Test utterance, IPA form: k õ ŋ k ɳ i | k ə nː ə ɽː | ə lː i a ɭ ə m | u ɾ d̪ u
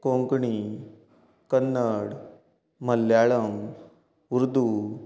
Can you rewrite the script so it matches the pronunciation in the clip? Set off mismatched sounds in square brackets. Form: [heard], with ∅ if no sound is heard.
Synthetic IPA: k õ ŋ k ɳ i | k ə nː ə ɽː | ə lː [j] a ɭ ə m | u ɾ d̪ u